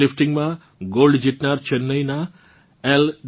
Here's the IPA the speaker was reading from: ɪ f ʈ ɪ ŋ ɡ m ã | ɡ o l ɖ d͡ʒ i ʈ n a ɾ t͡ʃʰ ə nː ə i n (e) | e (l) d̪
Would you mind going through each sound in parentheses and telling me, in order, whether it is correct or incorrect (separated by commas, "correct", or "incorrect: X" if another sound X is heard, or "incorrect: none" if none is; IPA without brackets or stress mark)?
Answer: incorrect: a, correct